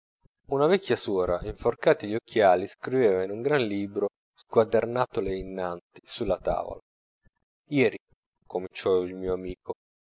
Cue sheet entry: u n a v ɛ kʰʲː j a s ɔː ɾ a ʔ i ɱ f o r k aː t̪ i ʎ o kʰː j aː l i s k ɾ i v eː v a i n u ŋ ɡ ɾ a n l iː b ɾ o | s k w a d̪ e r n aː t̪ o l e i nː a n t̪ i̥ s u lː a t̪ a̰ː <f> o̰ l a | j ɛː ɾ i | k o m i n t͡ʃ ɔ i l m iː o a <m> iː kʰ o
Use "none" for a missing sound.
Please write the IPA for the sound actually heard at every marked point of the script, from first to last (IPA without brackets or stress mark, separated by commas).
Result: v, m